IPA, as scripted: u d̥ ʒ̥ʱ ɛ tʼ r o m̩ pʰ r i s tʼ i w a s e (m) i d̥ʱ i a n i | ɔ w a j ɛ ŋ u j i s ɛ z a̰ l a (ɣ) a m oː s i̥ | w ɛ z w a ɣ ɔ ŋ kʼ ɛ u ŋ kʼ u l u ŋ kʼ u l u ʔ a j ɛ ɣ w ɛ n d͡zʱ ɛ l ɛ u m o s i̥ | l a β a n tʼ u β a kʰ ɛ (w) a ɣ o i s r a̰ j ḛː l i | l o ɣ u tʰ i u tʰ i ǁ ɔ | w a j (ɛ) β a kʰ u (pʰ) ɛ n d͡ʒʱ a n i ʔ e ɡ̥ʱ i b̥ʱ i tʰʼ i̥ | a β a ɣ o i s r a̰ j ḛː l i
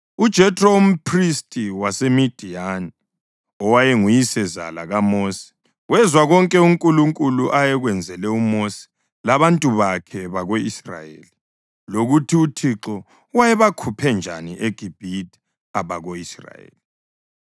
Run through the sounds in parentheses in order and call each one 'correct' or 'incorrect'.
correct, correct, incorrect, correct, correct

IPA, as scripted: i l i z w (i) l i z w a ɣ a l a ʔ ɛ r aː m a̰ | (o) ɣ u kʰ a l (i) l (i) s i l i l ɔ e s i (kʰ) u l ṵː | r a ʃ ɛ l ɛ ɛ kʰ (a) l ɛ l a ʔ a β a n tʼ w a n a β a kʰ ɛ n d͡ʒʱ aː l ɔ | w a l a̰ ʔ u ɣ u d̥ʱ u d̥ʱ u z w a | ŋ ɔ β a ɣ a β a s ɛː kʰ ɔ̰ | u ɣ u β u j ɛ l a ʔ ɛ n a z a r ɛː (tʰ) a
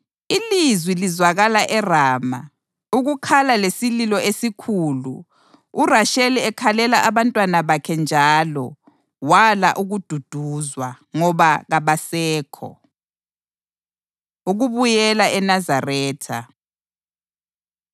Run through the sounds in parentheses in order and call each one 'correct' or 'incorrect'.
correct, incorrect, incorrect, incorrect, correct, correct, correct

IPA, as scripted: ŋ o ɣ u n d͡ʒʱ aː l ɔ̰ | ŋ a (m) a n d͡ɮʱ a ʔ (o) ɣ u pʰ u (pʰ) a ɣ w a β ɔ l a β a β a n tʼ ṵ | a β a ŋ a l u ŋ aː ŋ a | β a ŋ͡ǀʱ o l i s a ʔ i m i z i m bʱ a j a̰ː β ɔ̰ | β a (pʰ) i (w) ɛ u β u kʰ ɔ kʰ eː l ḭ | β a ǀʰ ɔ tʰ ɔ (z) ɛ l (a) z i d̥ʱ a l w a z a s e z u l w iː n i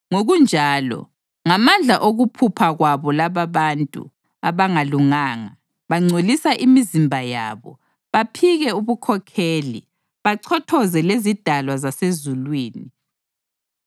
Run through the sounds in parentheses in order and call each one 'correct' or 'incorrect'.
correct, correct, correct, correct, incorrect, correct, incorrect

